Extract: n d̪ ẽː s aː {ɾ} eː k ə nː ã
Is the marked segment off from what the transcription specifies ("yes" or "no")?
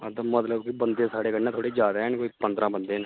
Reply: yes